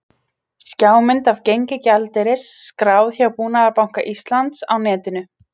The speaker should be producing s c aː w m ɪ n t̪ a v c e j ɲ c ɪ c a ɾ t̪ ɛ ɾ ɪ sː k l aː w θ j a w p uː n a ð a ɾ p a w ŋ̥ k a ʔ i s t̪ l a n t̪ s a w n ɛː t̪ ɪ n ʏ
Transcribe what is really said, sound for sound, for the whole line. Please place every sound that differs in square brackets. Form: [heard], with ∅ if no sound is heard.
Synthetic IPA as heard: s c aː w m ɪ n t̪ a v c e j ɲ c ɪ c a [l] t̪ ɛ ɾ ɪ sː k [ɾ] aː w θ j a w p uː n a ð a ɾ p a w ŋ̥ k a ʔ i s t̪ l a n t̪ s a w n ɛː t̪ ɪ n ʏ